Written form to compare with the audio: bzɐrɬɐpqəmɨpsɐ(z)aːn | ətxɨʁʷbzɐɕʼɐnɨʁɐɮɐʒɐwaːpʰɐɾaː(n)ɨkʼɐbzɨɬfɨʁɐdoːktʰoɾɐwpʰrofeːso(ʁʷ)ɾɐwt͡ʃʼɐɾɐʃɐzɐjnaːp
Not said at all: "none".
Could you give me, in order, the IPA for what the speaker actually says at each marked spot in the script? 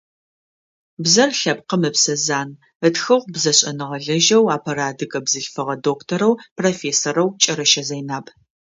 z, d, none

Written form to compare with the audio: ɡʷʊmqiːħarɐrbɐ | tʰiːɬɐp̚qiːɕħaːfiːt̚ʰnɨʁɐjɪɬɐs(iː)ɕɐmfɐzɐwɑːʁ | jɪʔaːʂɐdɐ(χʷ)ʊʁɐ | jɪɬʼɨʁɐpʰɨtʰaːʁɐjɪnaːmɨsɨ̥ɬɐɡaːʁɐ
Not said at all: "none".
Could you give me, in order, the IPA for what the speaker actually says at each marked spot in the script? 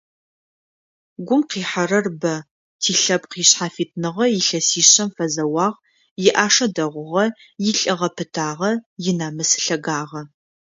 iː, ʁʷ

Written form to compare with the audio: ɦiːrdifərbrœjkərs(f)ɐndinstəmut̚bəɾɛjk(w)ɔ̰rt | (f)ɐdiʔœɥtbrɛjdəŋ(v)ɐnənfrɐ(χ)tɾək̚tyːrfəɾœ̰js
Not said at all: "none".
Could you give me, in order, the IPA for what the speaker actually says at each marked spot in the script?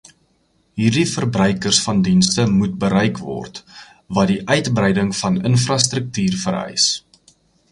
f, v, v, f, s

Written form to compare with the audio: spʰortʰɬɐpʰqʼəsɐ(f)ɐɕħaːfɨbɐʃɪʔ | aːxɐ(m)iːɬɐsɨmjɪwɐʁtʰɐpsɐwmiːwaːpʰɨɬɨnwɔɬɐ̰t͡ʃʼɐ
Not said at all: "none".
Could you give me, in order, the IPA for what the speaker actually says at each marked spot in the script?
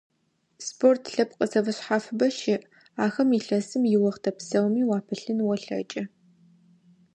v, m

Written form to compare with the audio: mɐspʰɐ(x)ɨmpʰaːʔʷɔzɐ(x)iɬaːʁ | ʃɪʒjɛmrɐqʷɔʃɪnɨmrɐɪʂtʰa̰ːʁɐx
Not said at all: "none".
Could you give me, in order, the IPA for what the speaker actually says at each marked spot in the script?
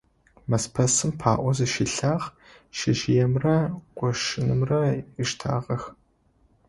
s, ʃ

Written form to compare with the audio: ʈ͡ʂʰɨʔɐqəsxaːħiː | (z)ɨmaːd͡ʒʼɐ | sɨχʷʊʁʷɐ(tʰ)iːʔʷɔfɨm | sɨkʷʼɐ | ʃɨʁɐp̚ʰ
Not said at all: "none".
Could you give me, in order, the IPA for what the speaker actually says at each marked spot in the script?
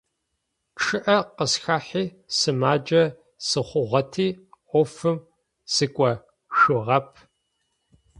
s, tʰ

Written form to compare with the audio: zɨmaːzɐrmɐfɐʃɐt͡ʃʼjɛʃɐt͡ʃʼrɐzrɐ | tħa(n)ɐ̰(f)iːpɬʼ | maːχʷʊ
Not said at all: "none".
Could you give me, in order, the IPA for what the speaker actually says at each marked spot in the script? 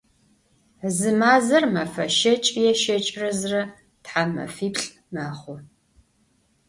m, f

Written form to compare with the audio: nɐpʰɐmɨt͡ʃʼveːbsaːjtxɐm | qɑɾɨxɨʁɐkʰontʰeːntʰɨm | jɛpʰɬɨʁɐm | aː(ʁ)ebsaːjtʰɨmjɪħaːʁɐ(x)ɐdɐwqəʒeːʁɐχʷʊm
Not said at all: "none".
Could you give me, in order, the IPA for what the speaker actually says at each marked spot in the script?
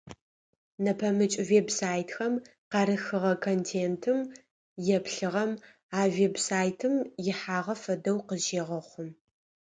v, f

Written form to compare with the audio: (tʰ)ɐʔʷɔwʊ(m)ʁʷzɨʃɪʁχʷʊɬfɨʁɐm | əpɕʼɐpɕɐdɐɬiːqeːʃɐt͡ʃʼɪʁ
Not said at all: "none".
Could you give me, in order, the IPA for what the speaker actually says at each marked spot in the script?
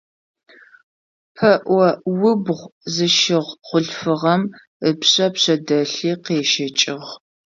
pʰ, b

